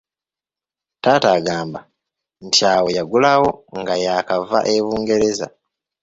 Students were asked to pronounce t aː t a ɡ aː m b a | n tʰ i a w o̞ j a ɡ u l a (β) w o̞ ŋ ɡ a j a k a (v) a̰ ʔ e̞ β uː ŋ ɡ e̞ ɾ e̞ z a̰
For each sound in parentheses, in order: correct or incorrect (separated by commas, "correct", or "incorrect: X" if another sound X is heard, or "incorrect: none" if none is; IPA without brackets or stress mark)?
incorrect: none, correct